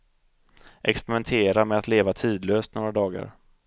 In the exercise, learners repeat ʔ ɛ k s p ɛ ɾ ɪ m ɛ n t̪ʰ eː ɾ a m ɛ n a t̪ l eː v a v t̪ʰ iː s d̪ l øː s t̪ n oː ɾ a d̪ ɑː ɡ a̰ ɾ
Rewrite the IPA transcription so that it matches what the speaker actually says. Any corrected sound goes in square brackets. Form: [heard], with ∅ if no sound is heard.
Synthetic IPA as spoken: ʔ ɛ k s p ɛ ɾ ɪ m ɛ n t̪ʰ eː ɾ a m ɛ [∅] a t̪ l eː v a [∅] t̪ʰ iː [∅] d̪ l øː s t̪ n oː ɾ a d̪ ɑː ɡ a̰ ɾ